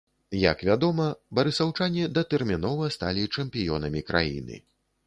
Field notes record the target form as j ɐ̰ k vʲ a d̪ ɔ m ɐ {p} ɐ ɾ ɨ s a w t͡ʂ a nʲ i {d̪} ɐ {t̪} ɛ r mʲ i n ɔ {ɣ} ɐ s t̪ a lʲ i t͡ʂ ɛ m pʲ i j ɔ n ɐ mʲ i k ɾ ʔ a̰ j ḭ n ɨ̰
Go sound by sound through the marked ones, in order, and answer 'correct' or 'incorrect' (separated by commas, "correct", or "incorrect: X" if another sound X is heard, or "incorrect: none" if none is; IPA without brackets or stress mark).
incorrect: b, correct, correct, incorrect: v